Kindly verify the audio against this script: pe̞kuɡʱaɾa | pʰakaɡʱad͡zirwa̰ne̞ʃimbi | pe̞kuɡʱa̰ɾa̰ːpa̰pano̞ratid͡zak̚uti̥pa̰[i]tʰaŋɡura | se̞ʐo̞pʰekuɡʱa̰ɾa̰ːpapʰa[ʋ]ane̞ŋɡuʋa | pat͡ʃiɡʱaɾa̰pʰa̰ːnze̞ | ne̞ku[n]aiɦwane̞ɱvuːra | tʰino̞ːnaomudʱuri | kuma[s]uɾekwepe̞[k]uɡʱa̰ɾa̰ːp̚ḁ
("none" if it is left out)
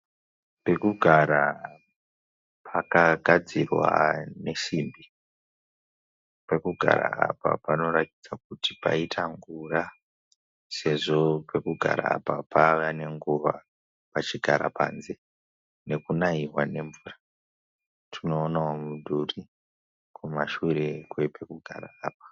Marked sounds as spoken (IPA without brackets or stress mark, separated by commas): i, ʋ, n, ʃ, k